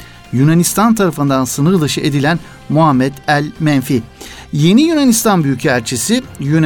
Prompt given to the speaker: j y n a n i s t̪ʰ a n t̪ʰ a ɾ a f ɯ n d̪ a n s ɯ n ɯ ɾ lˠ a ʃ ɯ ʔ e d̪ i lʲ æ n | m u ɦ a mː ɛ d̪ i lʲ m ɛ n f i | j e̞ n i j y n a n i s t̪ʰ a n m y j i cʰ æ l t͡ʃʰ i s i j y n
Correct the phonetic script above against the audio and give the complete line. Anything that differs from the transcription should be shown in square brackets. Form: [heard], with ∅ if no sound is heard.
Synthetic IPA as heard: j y n a n i s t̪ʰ a n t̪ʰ a ɾ a f ɯ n d̪ a n s ɯ n ɯ ɾ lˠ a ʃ ɯ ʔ e d̪ i lʲ æ n | m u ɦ a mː ɛ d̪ [æ] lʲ m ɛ n f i | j e̞ n i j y n a n i s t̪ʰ a n [b] y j [y] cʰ æ [ɾ] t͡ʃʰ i s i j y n